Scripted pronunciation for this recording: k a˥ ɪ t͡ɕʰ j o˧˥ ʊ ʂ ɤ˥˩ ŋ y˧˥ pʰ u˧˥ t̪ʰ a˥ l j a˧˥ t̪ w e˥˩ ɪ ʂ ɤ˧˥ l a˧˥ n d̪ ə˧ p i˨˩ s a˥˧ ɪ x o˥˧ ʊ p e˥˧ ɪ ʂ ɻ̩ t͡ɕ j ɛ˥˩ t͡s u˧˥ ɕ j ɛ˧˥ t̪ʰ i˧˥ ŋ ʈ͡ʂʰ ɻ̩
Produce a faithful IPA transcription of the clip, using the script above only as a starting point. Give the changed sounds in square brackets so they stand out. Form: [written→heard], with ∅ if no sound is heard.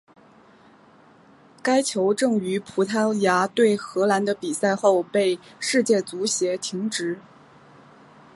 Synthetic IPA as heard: k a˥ ɪ t͡ɕʰ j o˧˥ ʊ [ʂ→ʈ͡ʂ] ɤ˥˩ ŋ y˧˥ pʰ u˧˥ t̪ʰ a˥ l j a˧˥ t̪ w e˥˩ ɪ [ʂ→x] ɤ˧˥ l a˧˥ n d̪ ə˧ p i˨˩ s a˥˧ ɪ x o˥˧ ʊ p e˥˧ ɪ ʂ ɻ̩ t͡ɕ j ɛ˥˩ t͡s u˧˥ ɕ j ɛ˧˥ t̪ʰ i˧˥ ŋ [ʈ͡ʂʰ→ʈ͡ʂ] ɻ̩